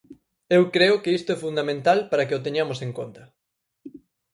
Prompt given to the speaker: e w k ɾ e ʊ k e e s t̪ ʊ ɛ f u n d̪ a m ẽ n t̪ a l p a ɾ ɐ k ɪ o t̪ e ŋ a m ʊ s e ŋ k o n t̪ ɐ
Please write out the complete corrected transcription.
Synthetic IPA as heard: e w k ɾ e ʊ k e i s t̪ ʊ ɛ f u n d̪ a m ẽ n t̪ a l p a ɾ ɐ k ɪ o t̪ e ɲ a m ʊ s e ŋ k o n t̪ ɐ